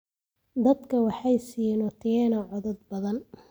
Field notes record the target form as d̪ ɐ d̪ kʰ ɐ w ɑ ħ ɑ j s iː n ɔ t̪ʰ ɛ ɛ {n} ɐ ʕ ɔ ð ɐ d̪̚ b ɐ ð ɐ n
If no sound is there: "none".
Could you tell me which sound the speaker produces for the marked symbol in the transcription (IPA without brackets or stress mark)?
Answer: n